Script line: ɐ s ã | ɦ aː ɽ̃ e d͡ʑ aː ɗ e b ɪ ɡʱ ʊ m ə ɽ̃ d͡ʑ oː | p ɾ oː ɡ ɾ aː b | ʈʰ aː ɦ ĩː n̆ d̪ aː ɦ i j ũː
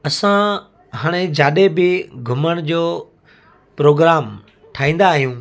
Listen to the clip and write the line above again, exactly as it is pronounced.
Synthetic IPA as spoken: ɐ s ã | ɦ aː ɽ̃ e d͡ʑ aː ɗ e b ɪ ɡʱ ʊ m ə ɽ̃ d͡ʑ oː | p ɾ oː ɡ ɾ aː m | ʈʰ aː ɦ ĩː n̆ d̪ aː ɦ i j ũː